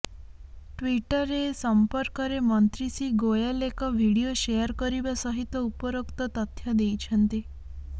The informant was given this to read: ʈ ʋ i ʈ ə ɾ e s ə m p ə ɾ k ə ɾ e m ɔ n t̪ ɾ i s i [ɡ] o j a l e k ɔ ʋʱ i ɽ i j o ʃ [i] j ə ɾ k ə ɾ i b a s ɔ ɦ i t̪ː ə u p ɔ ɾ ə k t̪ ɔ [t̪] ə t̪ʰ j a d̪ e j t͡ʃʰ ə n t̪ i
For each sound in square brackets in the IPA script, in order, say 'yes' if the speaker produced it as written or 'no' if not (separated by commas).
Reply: yes, no, yes